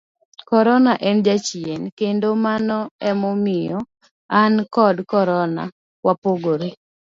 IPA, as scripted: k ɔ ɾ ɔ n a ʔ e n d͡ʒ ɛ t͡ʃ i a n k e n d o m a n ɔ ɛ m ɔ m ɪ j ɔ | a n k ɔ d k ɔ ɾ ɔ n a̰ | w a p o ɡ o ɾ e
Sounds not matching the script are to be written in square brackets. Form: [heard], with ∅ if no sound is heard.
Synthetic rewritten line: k ɔ ɾ ɔ n a ʔ [ɛ] n d͡ʒ [a] t͡ʃ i [e] n k e n d o m a n ɔ ɛ m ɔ m ɪ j ɔ | a n k ɔ d k ɔ ɾ ɔ n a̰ | w a p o ɡ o ɾ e